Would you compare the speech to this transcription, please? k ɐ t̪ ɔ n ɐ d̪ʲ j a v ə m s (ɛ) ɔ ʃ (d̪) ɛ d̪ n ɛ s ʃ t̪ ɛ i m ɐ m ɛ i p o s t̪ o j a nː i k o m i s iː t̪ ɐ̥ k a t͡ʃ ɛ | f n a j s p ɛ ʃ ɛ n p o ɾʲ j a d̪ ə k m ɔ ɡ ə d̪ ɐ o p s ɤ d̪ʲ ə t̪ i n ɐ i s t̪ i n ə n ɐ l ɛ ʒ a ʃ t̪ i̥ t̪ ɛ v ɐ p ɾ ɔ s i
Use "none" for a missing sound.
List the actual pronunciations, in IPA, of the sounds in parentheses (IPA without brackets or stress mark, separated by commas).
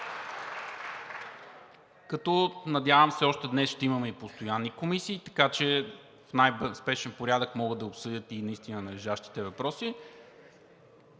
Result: ɛ, t̪